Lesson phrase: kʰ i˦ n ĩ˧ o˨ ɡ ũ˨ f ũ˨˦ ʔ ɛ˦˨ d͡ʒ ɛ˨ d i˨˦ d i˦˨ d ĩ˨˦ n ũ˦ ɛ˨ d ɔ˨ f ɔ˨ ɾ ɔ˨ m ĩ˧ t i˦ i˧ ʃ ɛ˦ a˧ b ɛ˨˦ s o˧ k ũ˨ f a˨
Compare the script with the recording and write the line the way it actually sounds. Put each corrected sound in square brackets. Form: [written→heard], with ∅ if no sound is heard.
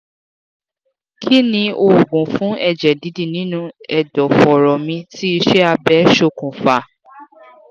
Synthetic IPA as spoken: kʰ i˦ n ĩ˧ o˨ ɡ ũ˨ f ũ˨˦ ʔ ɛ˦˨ d͡ʒ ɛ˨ d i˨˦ d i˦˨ [d→n] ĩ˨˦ n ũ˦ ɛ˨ d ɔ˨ f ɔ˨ ɾ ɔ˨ m ĩ˧ t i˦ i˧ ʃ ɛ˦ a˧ b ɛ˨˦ [s→ʃ] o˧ k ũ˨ f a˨

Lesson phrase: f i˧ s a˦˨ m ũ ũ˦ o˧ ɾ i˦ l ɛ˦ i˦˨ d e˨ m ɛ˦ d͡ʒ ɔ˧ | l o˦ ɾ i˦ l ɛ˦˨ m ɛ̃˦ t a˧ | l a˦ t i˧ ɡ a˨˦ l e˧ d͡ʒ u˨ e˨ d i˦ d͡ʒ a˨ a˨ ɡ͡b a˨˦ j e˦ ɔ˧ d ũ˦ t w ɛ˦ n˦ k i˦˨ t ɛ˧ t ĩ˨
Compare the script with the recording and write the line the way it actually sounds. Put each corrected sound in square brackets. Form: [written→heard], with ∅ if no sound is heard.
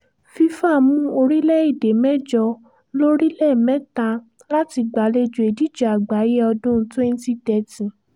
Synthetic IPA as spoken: f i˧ [s→f] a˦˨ m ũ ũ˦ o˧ ɾ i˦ l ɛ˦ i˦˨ d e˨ m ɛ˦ d͡ʒ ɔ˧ | l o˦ ɾ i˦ l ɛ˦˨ m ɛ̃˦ t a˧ | l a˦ t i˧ [ɡ→ɡ͡b] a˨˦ l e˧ d͡ʒ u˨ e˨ d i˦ d͡ʒ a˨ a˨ ɡ͡b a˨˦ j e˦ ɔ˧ d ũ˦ t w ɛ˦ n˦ [k→t] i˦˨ t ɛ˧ t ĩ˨

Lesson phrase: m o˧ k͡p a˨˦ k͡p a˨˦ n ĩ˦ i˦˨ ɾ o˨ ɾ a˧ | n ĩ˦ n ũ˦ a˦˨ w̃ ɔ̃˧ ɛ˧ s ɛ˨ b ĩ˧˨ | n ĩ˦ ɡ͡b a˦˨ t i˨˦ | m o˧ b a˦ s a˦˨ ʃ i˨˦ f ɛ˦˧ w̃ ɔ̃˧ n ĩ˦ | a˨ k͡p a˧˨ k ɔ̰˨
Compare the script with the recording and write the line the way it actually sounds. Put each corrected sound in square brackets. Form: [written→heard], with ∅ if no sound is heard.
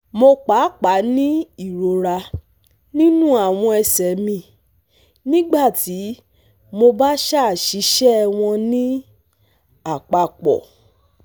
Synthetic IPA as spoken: m o˧ k͡p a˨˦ k͡p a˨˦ n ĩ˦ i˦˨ ɾ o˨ ɾ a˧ | n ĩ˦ n ũ˦ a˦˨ w̃ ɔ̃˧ ɛ˧ s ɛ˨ [b→m] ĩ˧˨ | n ĩ˦ ɡ͡b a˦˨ t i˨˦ | m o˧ b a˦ [s→ʃ] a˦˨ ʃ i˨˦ [f→ʃ] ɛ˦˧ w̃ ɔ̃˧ n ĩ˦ | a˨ k͡p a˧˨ [k→k͡p] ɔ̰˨

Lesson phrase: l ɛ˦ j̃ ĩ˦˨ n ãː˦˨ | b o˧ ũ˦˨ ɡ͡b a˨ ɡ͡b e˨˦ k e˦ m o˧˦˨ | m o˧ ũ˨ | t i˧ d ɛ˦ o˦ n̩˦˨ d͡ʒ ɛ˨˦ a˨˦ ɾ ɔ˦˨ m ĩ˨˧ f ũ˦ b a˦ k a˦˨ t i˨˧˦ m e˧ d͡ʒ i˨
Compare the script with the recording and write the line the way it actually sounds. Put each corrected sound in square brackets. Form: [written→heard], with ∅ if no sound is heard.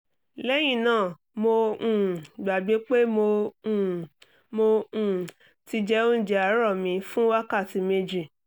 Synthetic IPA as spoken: l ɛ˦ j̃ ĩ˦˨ n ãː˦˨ | [b→m] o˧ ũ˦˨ ɡ͡b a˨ ɡ͡b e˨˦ [k→k͡p] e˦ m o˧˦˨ | m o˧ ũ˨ | t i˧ [d→d͡ʒ] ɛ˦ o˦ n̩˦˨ d͡ʒ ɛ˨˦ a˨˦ ɾ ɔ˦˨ m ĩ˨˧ f ũ˦ [b→w] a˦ k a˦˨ t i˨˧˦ m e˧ d͡ʒ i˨

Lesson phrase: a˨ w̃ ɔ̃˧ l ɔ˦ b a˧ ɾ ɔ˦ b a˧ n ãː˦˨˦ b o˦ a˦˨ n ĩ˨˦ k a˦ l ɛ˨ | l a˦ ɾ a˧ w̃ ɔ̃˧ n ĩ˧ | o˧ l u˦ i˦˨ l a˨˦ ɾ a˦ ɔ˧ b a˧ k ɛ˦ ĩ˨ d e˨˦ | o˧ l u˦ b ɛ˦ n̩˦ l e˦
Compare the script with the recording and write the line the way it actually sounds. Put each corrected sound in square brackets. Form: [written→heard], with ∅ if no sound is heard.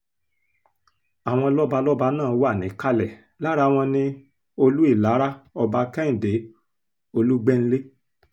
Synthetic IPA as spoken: a˨ w̃ ɔ̃˧ l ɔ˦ b a˧ [ɾ→l] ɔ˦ b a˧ n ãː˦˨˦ [b→w] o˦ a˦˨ n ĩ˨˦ k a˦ l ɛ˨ | l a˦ ɾ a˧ w̃ ɔ̃˧ n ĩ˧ | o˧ l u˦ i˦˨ l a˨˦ ɾ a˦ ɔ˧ b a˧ k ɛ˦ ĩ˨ d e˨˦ | o˧ l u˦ [b→ɡ͡b] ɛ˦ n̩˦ l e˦

